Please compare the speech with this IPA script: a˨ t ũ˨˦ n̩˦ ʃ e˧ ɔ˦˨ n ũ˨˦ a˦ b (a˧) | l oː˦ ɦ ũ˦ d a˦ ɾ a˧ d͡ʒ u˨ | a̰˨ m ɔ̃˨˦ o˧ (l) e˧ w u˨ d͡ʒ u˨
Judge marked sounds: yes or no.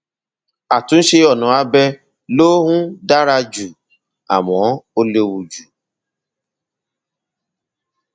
no, yes

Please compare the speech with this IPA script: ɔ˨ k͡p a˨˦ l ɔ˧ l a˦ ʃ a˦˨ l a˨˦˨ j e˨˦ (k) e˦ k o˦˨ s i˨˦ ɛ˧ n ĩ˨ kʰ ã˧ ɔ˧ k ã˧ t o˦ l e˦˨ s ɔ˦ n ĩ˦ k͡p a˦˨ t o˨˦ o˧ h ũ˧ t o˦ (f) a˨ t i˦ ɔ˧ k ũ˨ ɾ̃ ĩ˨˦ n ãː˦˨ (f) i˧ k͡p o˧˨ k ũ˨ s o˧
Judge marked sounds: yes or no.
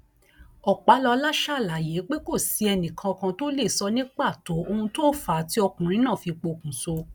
no, yes, yes

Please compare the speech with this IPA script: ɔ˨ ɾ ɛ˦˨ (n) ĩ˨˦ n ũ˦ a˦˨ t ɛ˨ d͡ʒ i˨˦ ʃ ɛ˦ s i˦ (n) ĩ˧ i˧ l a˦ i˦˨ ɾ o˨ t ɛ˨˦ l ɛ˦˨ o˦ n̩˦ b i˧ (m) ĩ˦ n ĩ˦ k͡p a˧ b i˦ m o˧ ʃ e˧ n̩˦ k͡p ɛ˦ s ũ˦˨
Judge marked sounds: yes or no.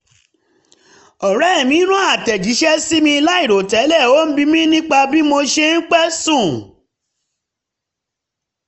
no, no, yes

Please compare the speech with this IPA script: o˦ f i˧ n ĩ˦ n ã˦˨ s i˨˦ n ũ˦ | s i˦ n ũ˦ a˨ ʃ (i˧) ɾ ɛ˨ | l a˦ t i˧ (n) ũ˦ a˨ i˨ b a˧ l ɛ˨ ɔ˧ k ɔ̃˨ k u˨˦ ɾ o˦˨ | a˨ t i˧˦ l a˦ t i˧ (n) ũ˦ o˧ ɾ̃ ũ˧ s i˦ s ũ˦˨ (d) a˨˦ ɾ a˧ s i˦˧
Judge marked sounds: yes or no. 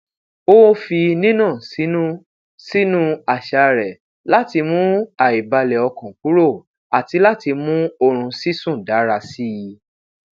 no, no, no, yes

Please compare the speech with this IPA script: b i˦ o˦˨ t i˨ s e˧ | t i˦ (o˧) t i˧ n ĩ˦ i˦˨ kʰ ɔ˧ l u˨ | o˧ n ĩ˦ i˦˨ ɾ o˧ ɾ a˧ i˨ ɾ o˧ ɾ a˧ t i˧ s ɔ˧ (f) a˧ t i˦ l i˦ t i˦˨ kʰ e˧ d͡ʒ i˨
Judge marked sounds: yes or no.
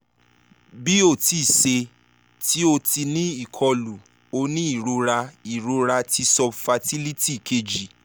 yes, yes

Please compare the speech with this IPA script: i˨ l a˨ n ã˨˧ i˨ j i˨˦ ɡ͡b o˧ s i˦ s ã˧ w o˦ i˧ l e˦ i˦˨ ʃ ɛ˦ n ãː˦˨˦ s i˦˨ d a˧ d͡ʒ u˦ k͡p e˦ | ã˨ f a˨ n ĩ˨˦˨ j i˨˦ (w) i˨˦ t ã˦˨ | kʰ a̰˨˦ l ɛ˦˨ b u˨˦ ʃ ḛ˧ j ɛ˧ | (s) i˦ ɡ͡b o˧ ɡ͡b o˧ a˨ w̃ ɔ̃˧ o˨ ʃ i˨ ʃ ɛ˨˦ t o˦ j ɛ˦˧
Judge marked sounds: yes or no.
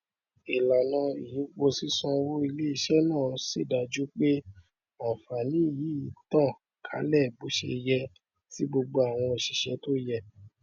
no, no

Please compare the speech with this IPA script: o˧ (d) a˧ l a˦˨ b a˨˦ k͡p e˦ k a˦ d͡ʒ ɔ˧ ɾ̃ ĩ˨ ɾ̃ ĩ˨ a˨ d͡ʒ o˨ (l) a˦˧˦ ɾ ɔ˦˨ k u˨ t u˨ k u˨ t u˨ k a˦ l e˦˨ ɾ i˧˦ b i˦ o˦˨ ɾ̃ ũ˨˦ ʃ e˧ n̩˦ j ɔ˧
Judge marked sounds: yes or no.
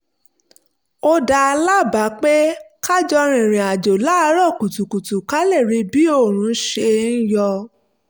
yes, yes

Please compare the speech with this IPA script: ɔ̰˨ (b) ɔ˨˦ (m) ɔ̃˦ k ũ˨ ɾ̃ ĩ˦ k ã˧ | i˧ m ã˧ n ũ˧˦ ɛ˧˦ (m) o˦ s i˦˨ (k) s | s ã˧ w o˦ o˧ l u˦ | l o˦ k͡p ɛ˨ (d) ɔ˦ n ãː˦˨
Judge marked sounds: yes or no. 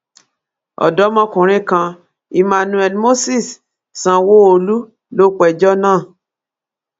no, yes, yes, no, no

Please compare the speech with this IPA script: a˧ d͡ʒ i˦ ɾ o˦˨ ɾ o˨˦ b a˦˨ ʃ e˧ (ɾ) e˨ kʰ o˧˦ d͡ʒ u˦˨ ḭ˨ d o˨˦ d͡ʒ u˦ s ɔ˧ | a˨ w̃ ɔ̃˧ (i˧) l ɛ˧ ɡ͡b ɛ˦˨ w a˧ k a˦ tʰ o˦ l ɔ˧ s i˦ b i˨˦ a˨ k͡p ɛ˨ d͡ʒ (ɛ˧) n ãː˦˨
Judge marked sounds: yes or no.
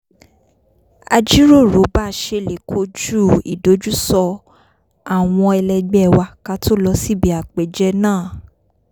no, no, yes

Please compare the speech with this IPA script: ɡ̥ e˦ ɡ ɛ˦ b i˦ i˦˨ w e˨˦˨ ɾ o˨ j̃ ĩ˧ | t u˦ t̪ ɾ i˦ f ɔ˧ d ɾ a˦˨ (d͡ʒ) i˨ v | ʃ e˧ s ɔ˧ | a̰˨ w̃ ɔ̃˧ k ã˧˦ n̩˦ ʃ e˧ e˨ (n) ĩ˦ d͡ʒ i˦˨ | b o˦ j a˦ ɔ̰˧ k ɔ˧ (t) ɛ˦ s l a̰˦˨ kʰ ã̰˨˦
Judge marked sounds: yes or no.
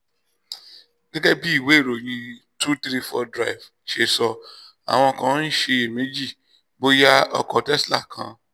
no, no, yes

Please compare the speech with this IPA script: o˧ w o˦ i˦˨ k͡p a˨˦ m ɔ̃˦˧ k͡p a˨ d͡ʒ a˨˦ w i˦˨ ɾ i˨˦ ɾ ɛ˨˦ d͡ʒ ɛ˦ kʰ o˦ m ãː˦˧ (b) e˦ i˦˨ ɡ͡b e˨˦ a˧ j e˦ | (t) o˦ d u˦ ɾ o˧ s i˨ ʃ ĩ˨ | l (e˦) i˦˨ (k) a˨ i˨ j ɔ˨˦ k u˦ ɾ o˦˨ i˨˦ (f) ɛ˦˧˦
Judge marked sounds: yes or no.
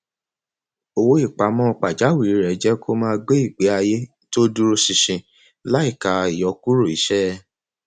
no, yes, no, yes, no

